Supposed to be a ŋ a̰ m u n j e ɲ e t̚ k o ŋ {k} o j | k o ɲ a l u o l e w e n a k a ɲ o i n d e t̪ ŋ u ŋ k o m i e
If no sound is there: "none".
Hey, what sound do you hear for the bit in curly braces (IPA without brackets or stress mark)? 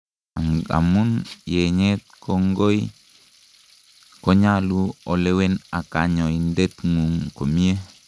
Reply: ɡ